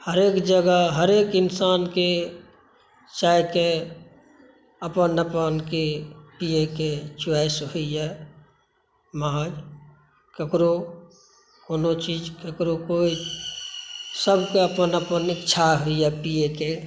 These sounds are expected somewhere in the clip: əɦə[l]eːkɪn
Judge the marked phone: incorrect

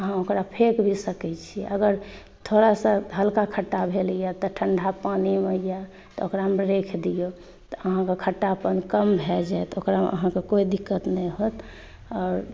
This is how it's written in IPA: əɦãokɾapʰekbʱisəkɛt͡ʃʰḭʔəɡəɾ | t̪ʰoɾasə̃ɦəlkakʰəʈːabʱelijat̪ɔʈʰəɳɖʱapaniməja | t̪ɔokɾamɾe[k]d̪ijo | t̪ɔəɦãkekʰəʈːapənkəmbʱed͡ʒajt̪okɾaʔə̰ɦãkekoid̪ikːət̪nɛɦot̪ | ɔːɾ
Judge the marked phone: incorrect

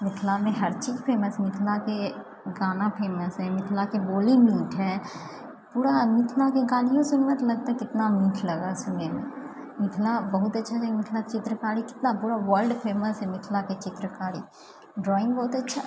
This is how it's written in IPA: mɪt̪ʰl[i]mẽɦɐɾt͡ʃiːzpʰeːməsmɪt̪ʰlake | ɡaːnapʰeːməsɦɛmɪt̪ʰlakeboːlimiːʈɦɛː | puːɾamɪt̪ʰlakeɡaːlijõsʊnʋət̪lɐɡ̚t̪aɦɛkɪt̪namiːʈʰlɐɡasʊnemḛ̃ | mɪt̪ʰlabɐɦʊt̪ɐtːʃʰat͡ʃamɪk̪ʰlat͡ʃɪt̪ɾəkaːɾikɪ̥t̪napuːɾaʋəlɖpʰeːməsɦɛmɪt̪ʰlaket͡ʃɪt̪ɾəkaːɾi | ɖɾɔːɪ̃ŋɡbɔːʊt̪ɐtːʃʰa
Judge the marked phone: incorrect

